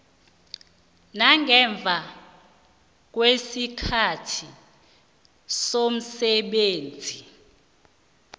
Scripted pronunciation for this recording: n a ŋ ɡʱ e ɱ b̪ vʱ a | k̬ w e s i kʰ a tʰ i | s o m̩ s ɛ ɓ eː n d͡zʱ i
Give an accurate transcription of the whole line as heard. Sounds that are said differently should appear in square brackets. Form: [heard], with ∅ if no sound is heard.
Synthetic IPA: n a ŋ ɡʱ [ɛ] ɱ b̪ vʱ a | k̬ w e s i kʰ a tʰ i | s o m̩ s ɛ ɓ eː n d͡zʱ i